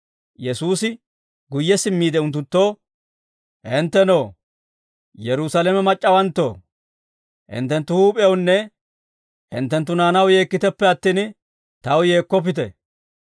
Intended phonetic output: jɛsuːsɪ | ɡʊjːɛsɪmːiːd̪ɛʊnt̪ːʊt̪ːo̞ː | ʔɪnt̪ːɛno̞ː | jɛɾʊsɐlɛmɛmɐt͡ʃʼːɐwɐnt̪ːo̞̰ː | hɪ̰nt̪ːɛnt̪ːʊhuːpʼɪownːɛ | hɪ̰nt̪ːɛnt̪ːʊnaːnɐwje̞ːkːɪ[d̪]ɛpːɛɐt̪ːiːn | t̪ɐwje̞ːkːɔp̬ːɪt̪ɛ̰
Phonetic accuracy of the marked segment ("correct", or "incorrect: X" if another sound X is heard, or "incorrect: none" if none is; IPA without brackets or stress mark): incorrect: t̪